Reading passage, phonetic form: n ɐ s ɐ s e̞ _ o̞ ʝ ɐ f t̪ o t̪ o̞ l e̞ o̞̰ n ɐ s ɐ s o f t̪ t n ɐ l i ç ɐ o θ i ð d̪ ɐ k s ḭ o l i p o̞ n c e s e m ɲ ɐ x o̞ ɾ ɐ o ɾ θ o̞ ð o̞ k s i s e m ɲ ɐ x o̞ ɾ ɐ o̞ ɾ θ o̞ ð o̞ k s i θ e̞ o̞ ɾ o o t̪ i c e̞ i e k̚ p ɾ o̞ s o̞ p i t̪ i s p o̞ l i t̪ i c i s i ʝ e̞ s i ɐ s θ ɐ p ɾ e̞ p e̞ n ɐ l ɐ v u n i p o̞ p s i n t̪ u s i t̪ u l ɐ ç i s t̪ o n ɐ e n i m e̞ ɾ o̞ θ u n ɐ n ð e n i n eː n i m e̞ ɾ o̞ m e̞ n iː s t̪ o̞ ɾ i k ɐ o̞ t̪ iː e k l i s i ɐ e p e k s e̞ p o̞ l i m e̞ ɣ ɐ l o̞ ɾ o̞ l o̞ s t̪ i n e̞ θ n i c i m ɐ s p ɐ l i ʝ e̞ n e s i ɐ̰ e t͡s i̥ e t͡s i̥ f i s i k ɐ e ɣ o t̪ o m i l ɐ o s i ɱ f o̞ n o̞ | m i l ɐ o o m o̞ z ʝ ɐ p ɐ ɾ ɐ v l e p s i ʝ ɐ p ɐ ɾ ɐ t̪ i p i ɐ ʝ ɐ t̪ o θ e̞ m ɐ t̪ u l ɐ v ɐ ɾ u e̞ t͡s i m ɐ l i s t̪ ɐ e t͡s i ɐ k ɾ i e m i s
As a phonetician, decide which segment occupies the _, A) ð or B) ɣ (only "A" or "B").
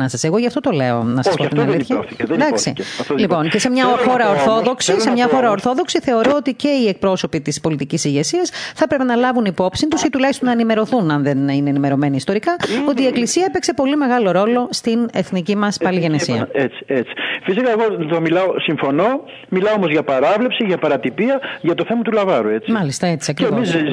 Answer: B